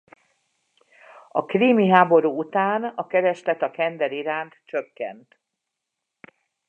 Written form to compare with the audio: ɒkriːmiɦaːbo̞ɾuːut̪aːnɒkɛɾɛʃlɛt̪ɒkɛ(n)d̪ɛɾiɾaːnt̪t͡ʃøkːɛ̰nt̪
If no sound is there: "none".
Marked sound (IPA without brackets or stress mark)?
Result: n